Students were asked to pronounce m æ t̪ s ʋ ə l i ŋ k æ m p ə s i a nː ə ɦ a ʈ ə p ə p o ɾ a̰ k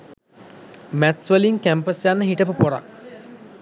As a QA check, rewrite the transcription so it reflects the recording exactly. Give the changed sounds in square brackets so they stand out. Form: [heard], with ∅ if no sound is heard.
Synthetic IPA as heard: m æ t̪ s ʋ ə l i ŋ k æ m p ə s [j] a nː ə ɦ [i] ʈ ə p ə p o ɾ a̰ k